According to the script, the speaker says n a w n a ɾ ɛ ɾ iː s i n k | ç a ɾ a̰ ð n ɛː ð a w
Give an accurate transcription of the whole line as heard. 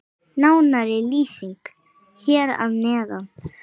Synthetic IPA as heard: n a w n a ɾ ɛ l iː s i ŋ k | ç ɛ ɾ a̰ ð n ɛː ð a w

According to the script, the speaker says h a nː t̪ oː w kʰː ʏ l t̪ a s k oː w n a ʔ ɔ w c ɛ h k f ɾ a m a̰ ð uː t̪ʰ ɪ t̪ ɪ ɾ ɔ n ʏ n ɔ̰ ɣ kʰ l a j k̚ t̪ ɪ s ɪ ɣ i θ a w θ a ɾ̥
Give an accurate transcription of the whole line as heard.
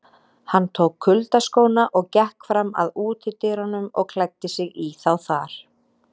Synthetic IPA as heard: h a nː t̪ʰ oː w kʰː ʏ l t̪ a s k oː w n a ʔ ɔ ɣ c ɛ h k f ɾ a m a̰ ð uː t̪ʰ ɪ t̪ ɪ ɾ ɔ n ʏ m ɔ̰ ɣ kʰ l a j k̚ t̪ ɪ s ɪ ɣ i θ a w θ a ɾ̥

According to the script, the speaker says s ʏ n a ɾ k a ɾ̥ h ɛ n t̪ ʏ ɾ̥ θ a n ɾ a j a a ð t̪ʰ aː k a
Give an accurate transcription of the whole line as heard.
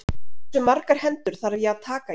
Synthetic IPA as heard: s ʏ m a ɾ k a ɾ̥ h ɛ n t̪ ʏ ɾ̥ θ a ɾ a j ɛ a ð t̪ʰ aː k a

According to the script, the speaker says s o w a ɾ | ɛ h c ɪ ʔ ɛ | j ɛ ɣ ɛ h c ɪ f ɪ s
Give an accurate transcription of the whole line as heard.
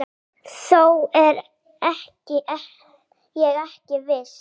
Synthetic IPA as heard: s o w ɛ ɾ | ɛ h c ɪ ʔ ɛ | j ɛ ɣ ɛ h c ɪ v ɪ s

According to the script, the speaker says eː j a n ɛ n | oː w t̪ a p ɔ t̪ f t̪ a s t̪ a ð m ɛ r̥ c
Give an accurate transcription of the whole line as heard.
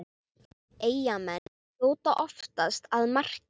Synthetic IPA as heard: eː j a m ɛ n | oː w t̪ a ʔ ɔ f t̪ a s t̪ a ð m a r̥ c

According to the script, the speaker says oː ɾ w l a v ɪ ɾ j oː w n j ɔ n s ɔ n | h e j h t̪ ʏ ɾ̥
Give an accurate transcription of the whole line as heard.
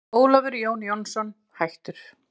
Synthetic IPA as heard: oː w l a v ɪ ɾ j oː w n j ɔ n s ɔ n | h a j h t̪ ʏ ɾ̥

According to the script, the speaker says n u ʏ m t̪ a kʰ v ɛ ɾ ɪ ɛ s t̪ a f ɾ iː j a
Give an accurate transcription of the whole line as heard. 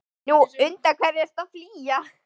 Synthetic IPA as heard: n u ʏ n t̪ a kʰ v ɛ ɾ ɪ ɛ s t̪ a f l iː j a

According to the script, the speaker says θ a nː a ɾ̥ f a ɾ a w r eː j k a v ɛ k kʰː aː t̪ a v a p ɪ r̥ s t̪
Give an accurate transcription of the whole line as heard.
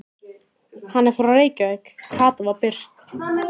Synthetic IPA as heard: h a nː ɛ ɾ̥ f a ɾ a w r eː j c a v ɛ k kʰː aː t̪ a v a p ɪ r̥ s t̪

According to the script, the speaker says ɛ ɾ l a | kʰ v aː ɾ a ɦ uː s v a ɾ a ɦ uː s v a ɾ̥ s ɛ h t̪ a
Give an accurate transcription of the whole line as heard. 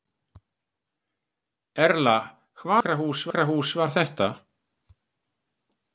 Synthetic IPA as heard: ɛ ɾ l a | kʰ v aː ɾ a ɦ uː s v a ɾ a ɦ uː s v a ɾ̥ θ ɛ h t̪ a

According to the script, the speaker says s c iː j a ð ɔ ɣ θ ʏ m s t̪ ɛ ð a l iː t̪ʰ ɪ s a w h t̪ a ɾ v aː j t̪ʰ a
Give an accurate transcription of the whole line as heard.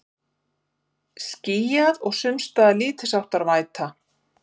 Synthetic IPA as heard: s c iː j a ð ɔ ɣ s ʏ m s t̪ a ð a l iː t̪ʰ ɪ s a w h t̪ a ɾ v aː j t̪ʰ a

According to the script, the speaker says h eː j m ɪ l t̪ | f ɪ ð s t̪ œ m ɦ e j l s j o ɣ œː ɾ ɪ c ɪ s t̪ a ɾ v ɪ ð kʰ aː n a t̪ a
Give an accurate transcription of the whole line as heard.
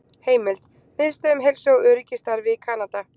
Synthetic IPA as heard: h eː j m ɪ l t̪ | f ɪ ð s t̪ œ m ɦ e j l s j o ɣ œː ɾ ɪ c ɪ s t̪ a ɾ v ɪ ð kʰ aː n a t̪ a

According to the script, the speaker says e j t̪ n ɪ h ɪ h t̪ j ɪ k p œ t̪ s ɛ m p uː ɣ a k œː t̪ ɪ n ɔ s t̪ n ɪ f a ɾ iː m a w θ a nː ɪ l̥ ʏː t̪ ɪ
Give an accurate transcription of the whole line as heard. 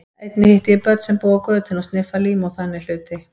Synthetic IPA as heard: e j t̪ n ɪ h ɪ h t̪ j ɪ p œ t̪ s ɛ m p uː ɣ a k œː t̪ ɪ n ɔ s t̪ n ɪ f a l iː m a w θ a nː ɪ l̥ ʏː t̪ ɪ

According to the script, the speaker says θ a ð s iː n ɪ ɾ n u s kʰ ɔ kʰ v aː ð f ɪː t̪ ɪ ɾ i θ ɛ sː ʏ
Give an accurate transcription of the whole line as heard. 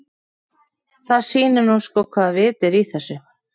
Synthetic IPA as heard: θ a ð s iː n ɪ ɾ n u s k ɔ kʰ v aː ð v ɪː t̪ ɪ ɾ i θ ɛ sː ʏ

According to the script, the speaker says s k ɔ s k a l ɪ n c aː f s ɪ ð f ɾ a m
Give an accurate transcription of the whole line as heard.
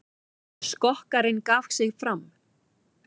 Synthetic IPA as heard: s k ɔ h k a ɾ ɪ n k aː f s ɪ ɣ f ɾ a m

